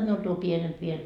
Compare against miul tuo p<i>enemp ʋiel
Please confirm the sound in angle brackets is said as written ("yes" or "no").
yes